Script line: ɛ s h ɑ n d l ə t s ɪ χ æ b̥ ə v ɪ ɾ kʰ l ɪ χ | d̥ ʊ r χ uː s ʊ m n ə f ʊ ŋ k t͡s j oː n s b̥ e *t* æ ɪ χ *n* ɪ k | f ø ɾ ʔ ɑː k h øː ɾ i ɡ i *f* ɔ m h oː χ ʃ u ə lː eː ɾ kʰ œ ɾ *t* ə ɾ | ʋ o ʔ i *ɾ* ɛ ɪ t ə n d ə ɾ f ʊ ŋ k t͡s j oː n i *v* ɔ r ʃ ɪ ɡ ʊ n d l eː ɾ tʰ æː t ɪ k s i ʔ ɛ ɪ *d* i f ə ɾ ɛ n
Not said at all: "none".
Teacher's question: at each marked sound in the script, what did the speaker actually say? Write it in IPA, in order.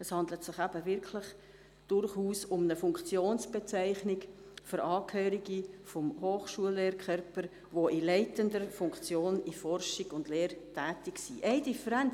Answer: t͡s, n, f, p, l, f, d

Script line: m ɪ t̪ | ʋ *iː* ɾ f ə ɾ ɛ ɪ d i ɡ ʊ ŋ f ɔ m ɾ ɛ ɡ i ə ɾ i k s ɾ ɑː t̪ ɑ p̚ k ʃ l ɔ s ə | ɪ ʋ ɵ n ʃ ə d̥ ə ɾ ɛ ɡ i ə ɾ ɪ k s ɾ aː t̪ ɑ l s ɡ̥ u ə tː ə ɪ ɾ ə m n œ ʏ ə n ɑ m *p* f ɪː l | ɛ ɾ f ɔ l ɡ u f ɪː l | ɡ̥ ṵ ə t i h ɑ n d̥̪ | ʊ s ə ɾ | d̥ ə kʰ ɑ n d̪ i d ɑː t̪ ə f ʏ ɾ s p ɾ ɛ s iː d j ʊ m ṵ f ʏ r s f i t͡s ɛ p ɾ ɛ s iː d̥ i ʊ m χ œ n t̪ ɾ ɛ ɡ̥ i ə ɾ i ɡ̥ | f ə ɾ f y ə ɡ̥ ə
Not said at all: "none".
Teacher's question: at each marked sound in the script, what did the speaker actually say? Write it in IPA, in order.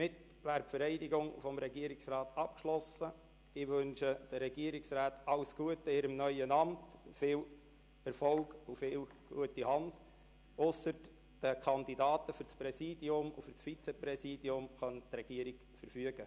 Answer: æː, t

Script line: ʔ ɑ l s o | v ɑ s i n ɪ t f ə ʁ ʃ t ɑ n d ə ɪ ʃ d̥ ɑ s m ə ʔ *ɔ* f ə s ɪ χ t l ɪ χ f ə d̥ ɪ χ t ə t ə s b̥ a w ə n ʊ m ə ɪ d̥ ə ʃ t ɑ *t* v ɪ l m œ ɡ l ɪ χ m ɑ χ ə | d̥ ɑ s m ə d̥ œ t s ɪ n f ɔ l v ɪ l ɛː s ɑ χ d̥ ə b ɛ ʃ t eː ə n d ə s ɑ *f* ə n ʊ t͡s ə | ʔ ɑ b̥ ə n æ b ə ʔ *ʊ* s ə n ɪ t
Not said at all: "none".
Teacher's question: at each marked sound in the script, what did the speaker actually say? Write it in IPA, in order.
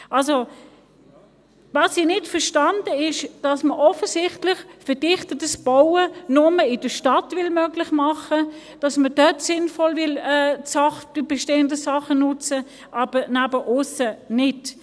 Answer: ɔ, t, χ, ʊ

